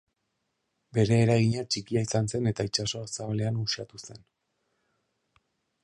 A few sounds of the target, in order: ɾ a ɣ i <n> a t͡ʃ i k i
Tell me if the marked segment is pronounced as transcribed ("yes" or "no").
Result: no